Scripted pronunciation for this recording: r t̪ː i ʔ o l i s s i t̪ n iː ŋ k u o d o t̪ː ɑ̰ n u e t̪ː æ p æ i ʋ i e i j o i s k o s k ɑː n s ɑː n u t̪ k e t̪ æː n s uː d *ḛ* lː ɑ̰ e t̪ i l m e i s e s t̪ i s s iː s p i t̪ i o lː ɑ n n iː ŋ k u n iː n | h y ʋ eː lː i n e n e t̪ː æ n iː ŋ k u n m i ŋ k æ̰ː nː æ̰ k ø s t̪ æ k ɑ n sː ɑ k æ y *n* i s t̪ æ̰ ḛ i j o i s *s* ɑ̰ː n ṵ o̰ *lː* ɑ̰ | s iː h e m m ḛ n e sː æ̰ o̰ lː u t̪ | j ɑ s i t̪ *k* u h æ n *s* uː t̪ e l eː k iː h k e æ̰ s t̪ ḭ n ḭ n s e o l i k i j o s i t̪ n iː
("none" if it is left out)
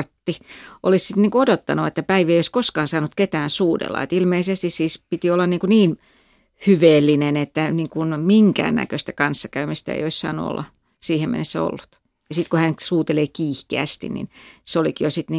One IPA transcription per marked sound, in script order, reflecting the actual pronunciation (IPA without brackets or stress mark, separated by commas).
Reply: ḛ, m, s, lː, k, s